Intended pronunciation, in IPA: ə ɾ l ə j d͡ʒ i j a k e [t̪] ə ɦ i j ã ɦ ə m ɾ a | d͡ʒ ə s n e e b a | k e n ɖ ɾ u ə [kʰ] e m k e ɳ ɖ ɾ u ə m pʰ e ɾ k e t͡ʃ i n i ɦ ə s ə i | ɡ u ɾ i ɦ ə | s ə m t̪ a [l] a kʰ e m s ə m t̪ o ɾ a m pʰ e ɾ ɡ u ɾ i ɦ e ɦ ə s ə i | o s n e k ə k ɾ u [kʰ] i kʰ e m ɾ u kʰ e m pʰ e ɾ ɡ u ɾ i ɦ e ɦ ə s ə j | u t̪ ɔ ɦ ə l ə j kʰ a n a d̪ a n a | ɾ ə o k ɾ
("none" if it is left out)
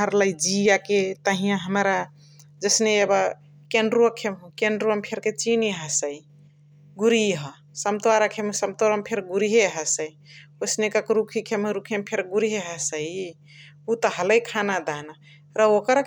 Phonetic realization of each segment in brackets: t̪, kʰ, ɾ, kʰ

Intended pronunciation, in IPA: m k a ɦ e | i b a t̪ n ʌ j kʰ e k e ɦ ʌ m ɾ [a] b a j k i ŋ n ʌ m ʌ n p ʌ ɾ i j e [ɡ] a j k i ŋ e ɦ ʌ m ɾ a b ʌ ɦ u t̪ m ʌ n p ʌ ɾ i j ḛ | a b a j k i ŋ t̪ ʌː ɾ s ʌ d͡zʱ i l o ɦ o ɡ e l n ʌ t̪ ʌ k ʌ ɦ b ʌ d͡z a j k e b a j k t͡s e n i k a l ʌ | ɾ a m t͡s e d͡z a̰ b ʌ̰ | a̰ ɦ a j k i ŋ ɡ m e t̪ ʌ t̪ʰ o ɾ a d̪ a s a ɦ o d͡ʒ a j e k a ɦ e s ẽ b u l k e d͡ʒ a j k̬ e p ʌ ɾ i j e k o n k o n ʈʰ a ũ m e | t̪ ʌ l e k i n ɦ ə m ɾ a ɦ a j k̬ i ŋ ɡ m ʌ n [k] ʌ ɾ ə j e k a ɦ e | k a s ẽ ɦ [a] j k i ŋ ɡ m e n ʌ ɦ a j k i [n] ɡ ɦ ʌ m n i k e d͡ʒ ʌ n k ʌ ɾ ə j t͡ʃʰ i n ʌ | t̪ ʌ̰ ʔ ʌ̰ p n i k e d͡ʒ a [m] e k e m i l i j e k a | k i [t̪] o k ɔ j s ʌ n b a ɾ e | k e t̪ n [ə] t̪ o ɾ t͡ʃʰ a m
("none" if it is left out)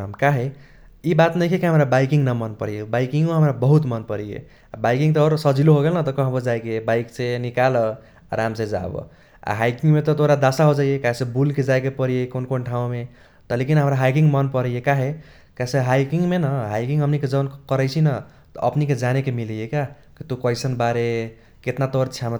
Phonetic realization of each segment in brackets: a, b, p, a, ŋ, n, t̪, a

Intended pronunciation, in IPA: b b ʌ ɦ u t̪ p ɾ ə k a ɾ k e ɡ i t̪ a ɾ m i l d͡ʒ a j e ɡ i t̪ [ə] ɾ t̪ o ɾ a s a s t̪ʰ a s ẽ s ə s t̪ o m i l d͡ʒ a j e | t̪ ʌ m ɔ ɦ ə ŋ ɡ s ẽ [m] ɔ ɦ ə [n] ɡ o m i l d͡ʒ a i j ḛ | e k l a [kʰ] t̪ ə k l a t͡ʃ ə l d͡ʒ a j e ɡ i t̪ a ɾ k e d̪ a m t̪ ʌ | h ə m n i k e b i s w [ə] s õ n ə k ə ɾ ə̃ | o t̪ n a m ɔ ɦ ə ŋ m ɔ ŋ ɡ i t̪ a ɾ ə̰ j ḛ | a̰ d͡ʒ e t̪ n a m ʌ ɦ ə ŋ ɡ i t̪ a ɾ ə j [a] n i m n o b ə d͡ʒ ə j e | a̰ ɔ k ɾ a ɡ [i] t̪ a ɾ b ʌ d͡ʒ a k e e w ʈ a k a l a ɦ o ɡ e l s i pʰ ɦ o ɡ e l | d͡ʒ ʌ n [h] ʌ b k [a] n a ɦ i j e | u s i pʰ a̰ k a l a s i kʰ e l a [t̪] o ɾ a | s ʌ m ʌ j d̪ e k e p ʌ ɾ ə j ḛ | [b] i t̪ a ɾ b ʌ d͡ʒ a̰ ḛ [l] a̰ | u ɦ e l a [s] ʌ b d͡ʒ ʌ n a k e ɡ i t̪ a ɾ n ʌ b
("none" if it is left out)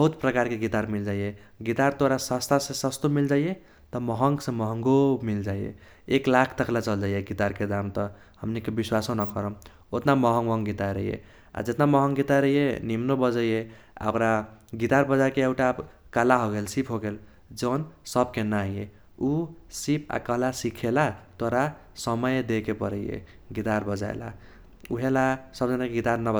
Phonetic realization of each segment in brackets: a, m, ŋ, kʰ, a, e, i, s, e, t̪, ɡ, l, s

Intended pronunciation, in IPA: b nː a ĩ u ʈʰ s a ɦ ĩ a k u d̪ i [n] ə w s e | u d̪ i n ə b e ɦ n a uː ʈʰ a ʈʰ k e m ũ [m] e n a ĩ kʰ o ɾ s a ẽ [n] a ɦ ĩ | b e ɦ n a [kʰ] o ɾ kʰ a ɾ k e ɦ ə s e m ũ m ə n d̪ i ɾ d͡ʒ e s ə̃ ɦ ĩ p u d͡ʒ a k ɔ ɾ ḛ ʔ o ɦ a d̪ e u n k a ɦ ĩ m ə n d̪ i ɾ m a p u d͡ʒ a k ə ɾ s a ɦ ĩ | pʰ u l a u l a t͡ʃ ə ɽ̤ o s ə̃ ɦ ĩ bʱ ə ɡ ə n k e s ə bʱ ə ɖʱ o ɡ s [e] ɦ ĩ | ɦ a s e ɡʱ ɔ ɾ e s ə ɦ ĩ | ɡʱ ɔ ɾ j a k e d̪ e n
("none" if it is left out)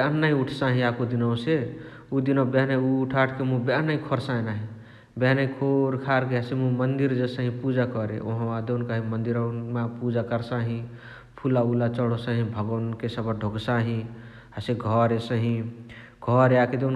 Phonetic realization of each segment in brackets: n, b, n, kʰ, a

